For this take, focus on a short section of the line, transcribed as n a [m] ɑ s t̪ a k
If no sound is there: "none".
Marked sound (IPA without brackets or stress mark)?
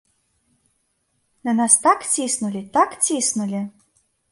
n